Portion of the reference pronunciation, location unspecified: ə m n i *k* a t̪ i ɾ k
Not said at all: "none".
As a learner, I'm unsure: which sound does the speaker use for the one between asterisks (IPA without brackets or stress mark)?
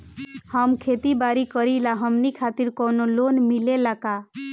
kʰ